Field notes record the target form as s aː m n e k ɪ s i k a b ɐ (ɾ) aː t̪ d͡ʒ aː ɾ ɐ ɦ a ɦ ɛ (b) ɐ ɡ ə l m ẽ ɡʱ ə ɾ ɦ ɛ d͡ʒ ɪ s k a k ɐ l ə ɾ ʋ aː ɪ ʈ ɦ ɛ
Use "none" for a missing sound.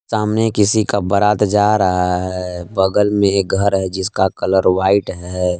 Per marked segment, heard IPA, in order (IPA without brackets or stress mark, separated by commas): ɾ, b